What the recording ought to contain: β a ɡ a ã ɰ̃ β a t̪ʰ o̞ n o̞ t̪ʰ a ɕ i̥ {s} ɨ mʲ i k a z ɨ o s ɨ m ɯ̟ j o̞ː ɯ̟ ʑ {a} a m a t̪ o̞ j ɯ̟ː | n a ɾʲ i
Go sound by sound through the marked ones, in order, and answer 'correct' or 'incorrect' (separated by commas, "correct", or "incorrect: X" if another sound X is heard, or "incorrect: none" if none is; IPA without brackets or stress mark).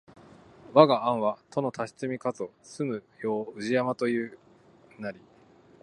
incorrect: t͡s, incorrect: i